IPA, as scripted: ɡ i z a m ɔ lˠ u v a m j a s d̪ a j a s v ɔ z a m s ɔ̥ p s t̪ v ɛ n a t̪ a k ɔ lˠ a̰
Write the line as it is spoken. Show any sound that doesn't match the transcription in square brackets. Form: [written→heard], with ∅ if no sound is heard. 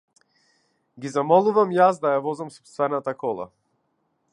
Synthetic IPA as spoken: ɡ i z a m ɔ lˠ u v a m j a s d̪ a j a [s→∅] v ɔ z a m s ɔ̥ p s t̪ v ɛ n a t̪ a k ɔ lˠ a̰

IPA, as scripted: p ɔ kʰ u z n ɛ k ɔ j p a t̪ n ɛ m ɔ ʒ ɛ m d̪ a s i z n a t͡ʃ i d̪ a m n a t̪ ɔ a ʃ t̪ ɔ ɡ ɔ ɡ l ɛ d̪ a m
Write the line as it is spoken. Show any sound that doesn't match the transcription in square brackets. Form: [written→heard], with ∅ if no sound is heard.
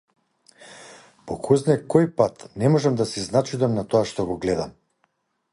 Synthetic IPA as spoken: p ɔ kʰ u z n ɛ k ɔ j p a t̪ n ɛ m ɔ ʒ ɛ m d̪ a s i z n a t͡ʃ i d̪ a m n a t̪ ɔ a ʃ t̪ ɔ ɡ ɔ ɡ l ɛ d̪ a m

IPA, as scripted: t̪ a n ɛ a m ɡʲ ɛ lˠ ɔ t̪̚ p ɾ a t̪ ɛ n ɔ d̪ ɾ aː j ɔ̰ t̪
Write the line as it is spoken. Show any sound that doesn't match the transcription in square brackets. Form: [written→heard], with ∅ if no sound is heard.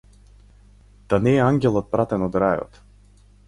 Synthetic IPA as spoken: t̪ a n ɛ a [m→ŋ] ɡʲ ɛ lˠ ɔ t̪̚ p ɾ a t̪ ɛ n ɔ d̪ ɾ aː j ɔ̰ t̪

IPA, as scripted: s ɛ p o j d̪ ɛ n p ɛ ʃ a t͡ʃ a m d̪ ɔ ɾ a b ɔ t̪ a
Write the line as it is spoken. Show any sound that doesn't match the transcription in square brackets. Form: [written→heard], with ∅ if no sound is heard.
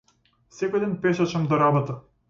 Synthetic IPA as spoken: s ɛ [p→k] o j d̪ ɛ n p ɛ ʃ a t͡ʃ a m d̪ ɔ ɾ a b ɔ t̪ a

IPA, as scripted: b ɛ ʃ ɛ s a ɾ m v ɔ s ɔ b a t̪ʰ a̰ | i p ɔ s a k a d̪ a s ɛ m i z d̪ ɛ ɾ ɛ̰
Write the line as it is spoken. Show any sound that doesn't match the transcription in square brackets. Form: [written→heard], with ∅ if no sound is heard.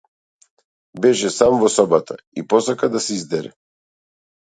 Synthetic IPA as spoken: b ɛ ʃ ɛ s a [ɾ→∅] m v ɔ s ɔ b a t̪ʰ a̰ | i p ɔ s a k a d̪ a s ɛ [m→∅] i z d̪ ɛ ɾ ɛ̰

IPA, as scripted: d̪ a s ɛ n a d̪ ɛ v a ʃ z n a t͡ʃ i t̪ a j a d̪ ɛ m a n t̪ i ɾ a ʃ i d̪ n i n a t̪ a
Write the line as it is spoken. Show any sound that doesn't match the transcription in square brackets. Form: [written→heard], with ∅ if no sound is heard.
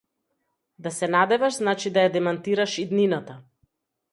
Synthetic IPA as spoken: d̪ a s ɛ n a d̪ ɛ v a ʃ z n a t͡ʃ i [t̪→d̪] a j a d̪ ɛ m a n t̪ i ɾ a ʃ i d̪ n i n a t̪ a

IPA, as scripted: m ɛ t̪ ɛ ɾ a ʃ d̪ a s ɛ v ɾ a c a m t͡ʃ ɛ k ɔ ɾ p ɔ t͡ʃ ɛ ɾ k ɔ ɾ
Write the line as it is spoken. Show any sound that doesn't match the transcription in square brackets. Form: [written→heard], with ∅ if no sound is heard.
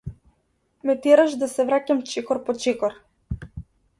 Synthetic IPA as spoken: m ɛ t̪ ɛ ɾ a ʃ d̪ a s ɛ v ɾ a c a m t͡ʃ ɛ k ɔ ɾ p ɔ t͡ʃ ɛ [ɾ→∅] k ɔ ɾ

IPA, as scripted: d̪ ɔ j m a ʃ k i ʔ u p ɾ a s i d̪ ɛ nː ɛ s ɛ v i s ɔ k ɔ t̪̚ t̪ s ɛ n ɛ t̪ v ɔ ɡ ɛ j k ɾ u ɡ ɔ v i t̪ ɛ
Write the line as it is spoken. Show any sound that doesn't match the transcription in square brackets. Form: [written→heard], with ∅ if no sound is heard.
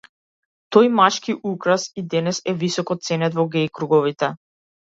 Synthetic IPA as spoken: [d̪→t̪] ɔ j m a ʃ k i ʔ u [p→k] ɾ a s i d̪ ɛ [nː→n] ɛ s ɛ v i s ɔ k ɔ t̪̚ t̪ s ɛ n ɛ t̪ v ɔ ɡ ɛ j k ɾ u ɡ ɔ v i t̪ ɛ

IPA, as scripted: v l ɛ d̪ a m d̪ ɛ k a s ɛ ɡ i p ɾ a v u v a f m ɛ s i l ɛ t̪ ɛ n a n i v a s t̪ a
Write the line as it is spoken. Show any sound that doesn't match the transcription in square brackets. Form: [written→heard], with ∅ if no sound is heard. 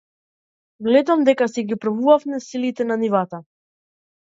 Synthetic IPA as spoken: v l ɛ d̪ a m d̪ ɛ k a s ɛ ɡ i p ɾ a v u v a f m ɛ s i l [ɛ→i] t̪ ɛ n a n i v a [s→∅] t̪ a

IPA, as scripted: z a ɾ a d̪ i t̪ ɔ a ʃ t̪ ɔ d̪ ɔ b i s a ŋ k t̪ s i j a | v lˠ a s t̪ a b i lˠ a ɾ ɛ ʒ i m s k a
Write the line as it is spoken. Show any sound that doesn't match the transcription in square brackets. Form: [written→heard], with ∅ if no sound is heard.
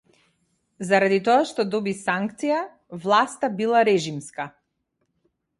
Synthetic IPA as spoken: z a ɾ a d̪ i t̪ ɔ a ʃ t̪ ɔ d̪ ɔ b i s a ŋ k t̪ s i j a | v lˠ a s t̪ a b i lˠ a ɾ ɛ ʒ i m s k a

